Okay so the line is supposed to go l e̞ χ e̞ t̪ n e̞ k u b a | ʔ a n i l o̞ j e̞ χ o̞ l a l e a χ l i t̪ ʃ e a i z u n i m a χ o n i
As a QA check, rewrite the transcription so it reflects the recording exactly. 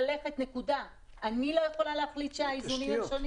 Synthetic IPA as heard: l e̞ χ e̞ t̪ n e̞ k u d a | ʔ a n i l o̞ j e̞ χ o̞ l a l e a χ l i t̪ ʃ e a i z u n i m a ʃ o n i